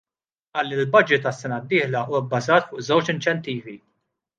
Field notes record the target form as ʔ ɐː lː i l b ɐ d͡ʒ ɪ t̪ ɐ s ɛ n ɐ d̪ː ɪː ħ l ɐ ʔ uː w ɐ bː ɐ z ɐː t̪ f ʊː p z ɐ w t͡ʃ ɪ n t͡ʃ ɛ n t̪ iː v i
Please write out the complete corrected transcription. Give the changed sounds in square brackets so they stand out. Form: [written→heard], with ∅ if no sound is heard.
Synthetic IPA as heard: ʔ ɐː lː i l b ɐ d͡ʒ ɪ t̪ ɐ [s→sː] ɛ n ɐ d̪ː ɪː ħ l ɐ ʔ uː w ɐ bː ɐ z ɐː t̪ f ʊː [p→ʔ] z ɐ w t͡ʃ ɪ n t͡ʃ ɛ n t̪ iː v i